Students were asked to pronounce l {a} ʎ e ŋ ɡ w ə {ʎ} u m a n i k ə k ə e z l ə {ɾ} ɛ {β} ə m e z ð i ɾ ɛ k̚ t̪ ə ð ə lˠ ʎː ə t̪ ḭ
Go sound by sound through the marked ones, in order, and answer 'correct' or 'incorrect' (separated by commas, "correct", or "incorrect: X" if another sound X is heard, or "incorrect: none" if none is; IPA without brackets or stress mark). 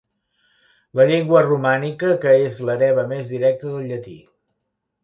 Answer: incorrect: ə, incorrect: r, correct, correct